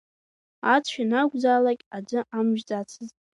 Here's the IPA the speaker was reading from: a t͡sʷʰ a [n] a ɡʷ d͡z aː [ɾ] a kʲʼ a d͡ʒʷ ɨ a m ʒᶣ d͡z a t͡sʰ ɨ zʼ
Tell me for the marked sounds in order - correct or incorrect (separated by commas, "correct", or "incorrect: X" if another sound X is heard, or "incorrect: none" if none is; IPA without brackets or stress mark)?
correct, incorrect: l